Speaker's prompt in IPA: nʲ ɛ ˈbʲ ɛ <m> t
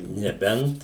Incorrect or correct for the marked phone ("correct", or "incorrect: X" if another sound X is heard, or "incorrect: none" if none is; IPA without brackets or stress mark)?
incorrect: n